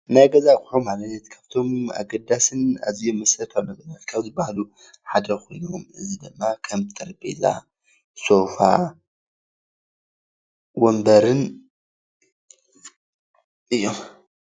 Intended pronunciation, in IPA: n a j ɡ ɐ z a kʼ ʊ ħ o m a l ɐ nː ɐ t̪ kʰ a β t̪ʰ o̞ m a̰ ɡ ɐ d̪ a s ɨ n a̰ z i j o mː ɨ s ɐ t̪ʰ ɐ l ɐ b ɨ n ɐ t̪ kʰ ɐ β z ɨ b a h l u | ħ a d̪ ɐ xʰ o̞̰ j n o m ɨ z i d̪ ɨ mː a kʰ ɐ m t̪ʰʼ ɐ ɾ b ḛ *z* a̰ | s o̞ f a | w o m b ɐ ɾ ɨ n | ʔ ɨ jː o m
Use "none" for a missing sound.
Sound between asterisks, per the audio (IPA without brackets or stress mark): z